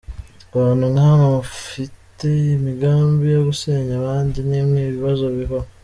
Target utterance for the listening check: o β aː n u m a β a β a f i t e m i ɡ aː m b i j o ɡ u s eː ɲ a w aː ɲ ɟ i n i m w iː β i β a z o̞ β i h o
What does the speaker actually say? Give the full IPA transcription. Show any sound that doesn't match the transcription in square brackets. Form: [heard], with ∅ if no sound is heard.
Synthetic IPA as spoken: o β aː n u [ŋ] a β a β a f i t e m i ɡ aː m b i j o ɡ u s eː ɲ a [β] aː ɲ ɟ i n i m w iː β i β a z o̞ β i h o